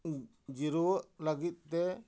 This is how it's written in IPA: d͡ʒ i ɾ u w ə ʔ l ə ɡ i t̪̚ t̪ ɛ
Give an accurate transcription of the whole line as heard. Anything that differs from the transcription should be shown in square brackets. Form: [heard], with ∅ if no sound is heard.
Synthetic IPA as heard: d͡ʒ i ɾ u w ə ʔ l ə ɡ i t̪̚ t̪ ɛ